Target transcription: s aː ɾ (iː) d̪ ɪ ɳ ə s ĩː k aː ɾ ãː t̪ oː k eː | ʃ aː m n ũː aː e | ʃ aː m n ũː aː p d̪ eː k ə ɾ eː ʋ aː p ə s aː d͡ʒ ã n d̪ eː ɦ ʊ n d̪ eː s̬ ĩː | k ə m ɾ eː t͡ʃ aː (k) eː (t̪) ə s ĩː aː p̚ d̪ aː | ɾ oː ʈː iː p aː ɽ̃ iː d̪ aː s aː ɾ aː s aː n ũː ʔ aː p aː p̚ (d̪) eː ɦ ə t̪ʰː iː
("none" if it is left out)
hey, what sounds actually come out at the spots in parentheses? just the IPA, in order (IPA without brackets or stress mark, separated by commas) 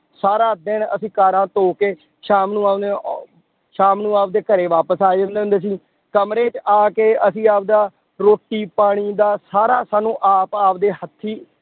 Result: aː, k, none, d̪